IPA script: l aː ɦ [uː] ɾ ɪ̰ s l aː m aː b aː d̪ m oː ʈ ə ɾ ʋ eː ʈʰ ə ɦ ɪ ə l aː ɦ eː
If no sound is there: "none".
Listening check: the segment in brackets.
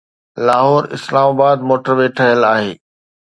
ɔː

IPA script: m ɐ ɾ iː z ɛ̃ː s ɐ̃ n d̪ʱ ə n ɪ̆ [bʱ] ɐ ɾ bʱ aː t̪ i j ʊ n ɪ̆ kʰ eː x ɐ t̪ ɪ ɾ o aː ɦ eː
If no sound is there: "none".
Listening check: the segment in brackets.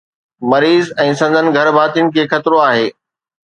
ɡʱ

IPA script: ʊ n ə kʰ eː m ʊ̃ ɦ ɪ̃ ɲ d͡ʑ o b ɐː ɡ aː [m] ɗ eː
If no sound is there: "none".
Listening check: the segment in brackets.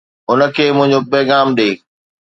m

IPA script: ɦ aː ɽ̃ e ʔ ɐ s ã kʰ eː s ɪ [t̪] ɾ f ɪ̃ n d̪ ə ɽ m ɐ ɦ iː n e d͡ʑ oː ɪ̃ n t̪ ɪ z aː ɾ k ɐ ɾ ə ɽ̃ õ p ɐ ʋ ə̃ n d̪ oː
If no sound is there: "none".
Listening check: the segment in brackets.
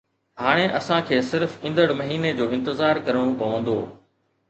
none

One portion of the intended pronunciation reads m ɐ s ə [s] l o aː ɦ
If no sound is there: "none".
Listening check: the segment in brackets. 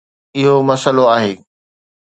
none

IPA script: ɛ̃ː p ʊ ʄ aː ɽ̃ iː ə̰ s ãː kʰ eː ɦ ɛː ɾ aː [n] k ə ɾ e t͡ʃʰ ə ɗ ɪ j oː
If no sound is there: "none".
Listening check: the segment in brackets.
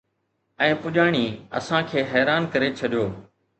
n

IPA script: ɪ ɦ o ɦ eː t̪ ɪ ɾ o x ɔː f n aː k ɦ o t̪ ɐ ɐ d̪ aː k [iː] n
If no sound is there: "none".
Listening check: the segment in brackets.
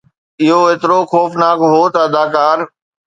aː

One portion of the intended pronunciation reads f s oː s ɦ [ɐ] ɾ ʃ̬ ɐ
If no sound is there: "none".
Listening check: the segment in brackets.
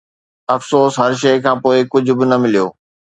ɐ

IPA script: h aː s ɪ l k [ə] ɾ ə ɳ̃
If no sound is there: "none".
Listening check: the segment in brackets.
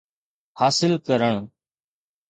ə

